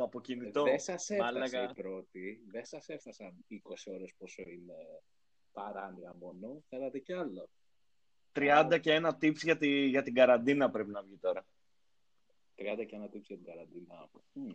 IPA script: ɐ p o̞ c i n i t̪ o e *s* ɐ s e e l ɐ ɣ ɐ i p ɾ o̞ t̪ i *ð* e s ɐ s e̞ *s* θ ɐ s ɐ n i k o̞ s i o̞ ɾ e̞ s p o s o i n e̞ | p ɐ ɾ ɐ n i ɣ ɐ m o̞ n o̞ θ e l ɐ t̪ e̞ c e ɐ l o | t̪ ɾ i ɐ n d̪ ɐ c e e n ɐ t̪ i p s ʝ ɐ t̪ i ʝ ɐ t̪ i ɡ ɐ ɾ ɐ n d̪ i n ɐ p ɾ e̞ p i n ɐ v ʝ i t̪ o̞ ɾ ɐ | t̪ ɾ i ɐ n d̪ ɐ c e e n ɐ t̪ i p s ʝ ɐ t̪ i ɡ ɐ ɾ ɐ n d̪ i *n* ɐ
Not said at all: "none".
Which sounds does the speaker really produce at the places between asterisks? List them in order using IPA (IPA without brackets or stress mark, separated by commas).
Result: s, ð, f, n